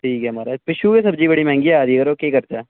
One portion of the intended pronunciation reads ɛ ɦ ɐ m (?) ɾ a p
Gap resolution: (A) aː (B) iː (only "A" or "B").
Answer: A